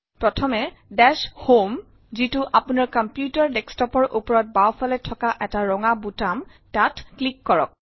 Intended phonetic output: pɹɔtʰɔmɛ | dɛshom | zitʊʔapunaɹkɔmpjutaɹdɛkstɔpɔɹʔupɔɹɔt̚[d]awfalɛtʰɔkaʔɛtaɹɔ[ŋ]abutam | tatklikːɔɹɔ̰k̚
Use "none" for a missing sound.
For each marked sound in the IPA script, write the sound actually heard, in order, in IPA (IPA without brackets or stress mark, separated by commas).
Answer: b, ŋ